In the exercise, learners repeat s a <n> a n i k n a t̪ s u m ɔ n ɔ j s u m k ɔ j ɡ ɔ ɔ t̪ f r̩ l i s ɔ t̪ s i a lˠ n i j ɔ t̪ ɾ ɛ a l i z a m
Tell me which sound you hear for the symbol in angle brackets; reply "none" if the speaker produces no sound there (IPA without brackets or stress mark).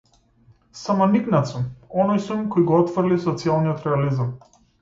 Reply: m